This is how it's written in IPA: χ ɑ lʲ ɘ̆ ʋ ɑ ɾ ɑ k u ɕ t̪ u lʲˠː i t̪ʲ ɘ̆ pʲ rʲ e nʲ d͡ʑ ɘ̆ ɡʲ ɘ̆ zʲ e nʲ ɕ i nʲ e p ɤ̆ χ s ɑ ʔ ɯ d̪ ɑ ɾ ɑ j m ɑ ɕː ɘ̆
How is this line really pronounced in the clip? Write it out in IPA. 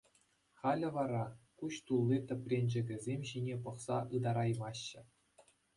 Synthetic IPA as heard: χ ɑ lʲ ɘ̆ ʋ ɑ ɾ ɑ k u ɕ t̪ u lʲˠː i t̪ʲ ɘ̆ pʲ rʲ e nʲ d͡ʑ ɘ̆ ɡʲ ɘ̆ zʲ e mʲ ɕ i nʲ e p ɤ̆ χ s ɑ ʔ ɯ d̪ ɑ ɾ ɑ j m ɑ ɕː ɘ̆